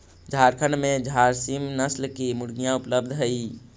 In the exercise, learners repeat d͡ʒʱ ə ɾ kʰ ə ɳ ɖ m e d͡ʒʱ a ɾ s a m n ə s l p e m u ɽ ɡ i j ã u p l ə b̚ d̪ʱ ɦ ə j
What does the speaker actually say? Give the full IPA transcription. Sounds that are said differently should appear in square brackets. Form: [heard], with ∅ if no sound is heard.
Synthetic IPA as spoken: d͡ʒʱ [a] ɾ kʰ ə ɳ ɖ m e d͡ʒʱ a ɾ s [i] m n ə s l [k] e m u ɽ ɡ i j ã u p l ə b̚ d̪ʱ ɦ ə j